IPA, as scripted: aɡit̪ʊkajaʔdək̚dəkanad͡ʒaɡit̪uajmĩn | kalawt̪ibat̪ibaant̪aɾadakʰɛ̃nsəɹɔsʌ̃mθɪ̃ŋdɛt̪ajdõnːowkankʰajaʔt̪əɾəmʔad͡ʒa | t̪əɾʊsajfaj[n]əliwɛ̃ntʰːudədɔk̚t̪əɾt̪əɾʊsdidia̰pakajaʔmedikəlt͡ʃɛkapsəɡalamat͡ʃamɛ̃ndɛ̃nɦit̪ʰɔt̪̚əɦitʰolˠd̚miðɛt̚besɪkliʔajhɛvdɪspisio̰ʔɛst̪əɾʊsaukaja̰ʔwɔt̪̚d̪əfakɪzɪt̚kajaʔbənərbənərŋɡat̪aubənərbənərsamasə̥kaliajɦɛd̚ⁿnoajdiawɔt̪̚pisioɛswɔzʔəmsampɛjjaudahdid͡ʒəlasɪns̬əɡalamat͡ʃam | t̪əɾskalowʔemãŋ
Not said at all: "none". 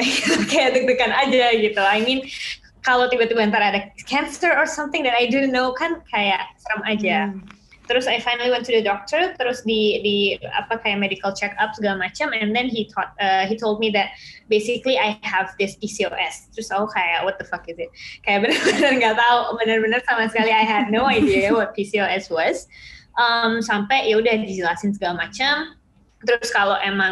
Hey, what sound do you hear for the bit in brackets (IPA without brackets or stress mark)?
n